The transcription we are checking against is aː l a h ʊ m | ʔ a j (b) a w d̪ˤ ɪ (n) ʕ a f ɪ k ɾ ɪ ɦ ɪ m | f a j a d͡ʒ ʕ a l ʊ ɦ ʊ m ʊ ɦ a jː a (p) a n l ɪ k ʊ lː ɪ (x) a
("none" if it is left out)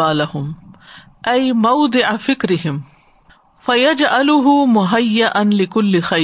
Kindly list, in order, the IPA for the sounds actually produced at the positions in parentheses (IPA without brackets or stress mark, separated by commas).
m, none, ʔ, x